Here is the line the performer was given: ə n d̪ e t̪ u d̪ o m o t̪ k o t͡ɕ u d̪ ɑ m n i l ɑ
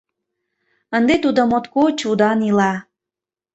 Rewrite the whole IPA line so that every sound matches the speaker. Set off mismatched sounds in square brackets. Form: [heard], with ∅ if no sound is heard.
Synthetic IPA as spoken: ə n d̪ e t̪ u d̪ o m o t̪ k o t͡ɕ u d̪ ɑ [∅] n i l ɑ